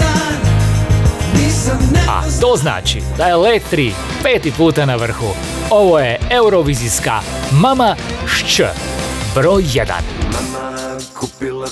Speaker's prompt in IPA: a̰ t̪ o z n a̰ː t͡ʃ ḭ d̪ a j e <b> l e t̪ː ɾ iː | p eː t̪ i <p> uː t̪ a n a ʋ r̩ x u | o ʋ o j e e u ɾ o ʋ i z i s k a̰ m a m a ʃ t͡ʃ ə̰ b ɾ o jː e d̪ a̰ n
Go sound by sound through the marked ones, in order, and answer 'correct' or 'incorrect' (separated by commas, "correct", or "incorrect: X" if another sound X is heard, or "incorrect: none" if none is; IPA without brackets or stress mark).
incorrect: none, correct